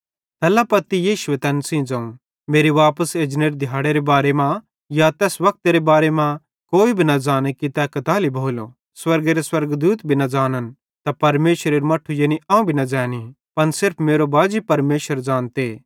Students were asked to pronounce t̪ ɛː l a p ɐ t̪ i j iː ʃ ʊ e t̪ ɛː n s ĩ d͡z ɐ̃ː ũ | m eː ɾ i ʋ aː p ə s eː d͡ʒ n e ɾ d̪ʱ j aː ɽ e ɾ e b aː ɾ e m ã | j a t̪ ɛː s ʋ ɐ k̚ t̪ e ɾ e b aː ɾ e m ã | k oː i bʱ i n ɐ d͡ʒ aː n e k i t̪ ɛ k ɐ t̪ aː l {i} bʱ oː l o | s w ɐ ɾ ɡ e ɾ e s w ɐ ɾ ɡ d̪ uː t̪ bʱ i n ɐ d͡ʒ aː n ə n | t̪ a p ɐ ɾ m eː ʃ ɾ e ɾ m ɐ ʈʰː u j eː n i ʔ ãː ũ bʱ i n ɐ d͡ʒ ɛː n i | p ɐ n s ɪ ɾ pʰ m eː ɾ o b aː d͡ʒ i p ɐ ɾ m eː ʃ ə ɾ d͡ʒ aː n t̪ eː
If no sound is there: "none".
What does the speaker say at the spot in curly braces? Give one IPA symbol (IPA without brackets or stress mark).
i